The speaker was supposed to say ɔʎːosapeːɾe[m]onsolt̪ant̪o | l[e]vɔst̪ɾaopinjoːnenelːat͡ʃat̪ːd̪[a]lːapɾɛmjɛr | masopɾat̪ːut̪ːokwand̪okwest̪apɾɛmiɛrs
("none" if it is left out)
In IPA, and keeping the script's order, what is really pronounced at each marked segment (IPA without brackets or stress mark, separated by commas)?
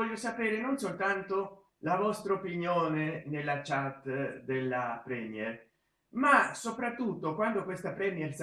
n, a, e